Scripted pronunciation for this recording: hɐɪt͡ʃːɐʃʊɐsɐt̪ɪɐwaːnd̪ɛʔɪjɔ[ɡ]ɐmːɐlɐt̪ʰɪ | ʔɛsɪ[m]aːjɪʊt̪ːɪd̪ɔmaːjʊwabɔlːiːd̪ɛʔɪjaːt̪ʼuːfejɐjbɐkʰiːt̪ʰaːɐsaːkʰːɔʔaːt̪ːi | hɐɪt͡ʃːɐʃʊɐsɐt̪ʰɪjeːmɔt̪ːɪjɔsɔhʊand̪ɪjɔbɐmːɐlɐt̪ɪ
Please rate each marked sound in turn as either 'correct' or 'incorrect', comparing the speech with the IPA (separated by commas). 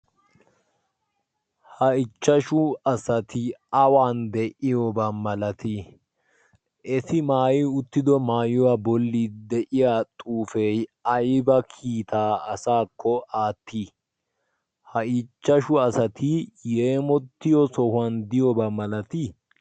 incorrect, correct